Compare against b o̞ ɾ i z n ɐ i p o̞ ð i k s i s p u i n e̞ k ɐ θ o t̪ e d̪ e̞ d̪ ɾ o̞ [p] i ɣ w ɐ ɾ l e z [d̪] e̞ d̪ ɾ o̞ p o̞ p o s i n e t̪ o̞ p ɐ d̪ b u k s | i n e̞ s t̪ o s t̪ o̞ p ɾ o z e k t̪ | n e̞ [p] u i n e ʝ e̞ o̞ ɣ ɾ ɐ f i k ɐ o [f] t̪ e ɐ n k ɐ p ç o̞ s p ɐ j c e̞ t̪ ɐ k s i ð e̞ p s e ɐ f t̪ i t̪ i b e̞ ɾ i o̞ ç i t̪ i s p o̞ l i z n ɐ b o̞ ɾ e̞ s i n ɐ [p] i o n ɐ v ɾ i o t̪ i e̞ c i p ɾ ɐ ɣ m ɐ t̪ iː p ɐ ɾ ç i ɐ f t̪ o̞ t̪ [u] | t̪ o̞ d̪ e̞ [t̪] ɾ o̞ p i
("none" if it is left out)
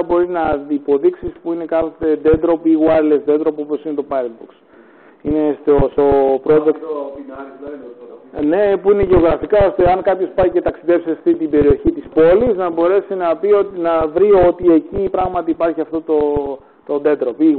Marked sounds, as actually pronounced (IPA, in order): p, d̪, p, s, p, o, d̪

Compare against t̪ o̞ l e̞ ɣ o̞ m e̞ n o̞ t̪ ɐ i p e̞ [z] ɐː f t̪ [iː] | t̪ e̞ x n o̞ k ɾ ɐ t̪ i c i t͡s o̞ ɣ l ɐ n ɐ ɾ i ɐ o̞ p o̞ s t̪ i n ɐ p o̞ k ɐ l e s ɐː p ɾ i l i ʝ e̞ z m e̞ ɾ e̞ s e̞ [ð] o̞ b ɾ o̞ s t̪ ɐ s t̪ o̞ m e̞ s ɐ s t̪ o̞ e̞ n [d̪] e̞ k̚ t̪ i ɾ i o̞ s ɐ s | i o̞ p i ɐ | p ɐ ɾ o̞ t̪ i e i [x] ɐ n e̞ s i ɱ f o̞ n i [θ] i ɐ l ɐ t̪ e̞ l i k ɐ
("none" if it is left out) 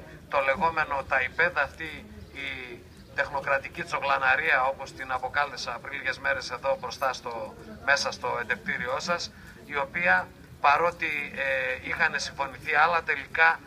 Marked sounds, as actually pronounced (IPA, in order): ð, iː, ð, d̪, x, θ

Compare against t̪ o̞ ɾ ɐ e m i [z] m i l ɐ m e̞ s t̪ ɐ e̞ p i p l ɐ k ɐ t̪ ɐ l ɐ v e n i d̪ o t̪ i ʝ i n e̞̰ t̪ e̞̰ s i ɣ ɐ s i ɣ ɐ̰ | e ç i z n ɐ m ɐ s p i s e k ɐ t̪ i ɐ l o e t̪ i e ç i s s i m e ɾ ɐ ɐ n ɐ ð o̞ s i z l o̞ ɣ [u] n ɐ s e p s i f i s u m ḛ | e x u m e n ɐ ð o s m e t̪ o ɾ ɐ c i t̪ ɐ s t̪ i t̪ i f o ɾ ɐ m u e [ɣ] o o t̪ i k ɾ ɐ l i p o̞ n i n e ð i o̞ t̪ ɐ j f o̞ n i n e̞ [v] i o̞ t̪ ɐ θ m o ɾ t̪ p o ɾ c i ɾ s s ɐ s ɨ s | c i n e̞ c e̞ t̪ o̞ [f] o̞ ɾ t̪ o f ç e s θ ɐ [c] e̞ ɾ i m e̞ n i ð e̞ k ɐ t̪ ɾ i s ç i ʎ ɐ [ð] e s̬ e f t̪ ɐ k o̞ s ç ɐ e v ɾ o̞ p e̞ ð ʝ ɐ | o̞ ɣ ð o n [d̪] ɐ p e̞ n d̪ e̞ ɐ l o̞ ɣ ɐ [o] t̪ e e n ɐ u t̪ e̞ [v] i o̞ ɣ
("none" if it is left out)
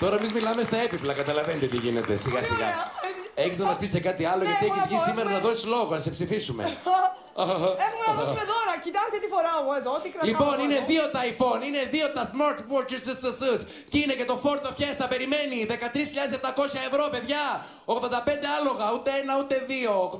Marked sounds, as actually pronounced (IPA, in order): z, o, ð, ð, f, p, ð, d̪, u, ð

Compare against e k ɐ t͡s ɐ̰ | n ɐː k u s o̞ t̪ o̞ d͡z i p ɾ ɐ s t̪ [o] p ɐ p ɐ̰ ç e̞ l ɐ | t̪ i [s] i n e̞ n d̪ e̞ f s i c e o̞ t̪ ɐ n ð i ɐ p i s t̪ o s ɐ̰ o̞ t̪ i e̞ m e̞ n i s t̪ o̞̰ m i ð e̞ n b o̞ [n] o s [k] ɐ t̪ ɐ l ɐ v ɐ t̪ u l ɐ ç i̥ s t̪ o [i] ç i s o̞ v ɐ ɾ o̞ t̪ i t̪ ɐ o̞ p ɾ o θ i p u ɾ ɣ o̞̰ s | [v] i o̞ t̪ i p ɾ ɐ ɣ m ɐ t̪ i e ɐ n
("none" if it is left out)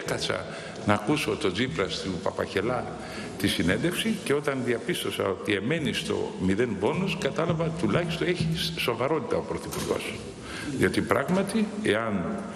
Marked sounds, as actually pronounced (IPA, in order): u, s, n, k, e, ð

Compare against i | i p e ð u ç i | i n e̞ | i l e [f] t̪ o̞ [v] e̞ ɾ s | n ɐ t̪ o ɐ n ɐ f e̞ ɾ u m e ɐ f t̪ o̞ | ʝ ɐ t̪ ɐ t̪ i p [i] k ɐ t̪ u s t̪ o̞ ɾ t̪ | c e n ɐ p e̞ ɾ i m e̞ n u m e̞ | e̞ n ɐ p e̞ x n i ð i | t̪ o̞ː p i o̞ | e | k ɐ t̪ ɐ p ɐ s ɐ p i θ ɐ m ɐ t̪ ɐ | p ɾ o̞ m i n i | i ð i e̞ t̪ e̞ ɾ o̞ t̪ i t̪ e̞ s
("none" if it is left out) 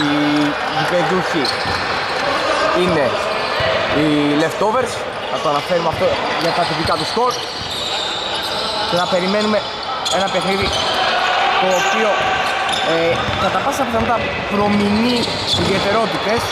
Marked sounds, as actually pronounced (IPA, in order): f, v, i

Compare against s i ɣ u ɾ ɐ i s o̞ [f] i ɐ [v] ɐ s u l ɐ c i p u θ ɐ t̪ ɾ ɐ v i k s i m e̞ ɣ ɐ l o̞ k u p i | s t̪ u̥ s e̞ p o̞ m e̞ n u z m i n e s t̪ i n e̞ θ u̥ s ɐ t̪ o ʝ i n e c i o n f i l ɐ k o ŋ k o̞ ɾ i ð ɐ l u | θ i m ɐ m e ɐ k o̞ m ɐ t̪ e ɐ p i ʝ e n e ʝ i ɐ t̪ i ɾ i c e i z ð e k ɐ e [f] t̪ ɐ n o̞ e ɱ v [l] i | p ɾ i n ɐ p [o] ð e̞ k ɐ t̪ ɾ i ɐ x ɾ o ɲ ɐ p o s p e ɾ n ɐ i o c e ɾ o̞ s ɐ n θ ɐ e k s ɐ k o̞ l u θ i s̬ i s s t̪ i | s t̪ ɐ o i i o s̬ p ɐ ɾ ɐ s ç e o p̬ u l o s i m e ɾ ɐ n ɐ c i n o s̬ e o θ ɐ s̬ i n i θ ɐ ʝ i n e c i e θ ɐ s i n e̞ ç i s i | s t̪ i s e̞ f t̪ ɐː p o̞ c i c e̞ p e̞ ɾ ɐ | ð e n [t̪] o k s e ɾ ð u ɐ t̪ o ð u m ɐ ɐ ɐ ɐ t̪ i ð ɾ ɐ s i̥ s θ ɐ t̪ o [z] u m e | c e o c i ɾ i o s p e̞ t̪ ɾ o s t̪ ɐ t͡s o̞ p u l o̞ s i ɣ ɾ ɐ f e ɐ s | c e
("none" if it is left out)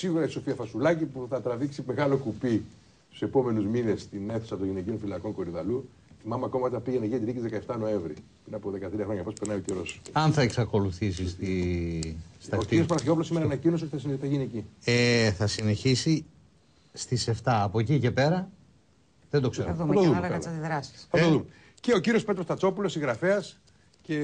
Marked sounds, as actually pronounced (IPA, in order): f, f, f, ɾ, o, d̪, ð

